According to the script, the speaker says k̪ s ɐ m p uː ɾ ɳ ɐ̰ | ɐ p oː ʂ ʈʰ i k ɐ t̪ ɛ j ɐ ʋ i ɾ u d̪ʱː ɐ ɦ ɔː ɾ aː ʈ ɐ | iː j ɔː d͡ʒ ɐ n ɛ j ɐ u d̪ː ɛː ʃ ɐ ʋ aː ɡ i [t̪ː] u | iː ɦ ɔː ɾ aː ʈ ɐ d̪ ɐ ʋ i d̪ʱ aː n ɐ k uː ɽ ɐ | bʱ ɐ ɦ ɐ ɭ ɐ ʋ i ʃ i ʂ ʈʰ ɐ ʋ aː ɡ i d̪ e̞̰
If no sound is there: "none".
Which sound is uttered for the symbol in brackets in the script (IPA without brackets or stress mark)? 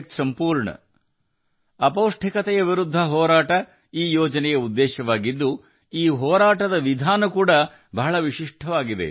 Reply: d̪ː